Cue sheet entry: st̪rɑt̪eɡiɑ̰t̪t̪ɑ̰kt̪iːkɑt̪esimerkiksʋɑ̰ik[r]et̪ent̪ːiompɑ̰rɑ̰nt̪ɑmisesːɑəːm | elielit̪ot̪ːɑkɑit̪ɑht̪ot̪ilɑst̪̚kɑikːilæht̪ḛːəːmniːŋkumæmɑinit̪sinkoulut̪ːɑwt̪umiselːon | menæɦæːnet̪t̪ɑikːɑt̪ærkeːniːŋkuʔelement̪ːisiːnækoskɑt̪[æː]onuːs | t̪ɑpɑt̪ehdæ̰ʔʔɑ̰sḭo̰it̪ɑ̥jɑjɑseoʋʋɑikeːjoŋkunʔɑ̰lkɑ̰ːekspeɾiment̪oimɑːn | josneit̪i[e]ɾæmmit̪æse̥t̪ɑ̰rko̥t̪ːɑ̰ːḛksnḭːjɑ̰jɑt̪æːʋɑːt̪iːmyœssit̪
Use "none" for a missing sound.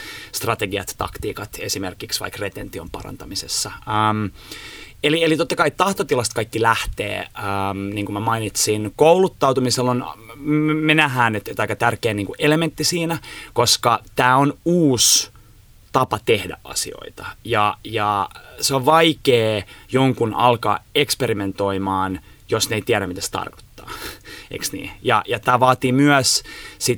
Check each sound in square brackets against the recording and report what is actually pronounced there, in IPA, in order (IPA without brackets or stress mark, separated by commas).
r, æː, æ